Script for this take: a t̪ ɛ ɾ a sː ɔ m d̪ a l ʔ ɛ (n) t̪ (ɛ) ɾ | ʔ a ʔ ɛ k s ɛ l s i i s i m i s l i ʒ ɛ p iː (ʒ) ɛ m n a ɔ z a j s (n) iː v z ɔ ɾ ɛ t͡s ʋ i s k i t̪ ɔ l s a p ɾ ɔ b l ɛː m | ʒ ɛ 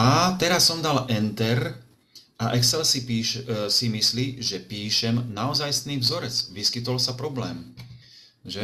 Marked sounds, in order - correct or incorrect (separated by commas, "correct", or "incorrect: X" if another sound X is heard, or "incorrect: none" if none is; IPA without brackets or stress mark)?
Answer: correct, correct, incorrect: ʃ, correct